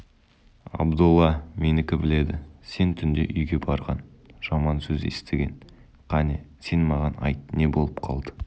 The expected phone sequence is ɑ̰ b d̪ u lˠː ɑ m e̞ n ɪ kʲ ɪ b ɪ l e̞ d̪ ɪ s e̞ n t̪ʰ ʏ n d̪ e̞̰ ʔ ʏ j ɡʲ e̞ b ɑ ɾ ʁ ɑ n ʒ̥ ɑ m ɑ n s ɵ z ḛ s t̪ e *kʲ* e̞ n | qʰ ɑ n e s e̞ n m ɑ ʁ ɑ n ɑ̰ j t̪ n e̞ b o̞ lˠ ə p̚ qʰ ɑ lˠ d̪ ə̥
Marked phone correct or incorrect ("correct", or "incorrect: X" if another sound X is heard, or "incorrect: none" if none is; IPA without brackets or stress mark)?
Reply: incorrect: ɡʲ